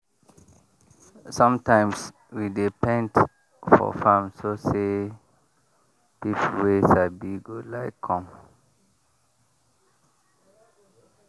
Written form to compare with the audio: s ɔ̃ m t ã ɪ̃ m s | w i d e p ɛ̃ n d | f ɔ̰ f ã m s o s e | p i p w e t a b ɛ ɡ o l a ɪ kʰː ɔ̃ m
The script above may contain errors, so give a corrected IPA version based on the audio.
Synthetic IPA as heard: s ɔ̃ m t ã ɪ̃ m s | w i d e p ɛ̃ n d | f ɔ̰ f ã m s o s e | p i p w e s a b i ɡ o l a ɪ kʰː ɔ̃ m